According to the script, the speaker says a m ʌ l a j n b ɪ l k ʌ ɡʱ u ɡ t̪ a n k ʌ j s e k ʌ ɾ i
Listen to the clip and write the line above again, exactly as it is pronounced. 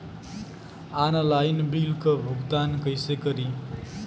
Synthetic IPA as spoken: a n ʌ l a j n b i l k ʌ bʱ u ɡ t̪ a n k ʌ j s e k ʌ ɾ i